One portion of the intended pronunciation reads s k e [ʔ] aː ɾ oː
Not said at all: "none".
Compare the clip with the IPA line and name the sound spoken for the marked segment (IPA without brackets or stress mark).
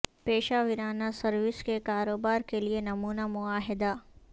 k